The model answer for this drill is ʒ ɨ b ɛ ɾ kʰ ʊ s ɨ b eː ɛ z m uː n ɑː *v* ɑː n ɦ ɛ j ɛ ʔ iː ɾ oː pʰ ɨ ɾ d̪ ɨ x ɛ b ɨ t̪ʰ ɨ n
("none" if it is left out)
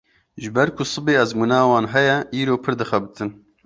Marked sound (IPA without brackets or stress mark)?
w